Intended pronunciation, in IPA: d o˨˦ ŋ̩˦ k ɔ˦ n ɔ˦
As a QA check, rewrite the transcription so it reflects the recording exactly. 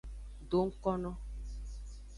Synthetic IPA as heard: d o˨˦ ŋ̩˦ k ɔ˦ n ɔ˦